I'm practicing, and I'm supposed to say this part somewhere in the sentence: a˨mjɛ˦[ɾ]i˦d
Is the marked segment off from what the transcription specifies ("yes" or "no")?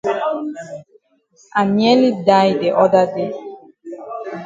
yes